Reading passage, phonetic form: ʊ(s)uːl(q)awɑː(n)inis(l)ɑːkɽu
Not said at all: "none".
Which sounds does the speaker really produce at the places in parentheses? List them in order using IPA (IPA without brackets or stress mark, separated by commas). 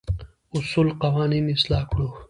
s, q, n, l